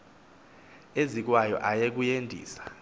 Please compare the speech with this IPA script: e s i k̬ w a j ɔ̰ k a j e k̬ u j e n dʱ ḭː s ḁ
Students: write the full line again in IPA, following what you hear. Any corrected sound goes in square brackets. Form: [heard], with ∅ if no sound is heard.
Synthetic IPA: e [z] i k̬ w a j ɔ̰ [ʔ] a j e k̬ u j e n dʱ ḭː s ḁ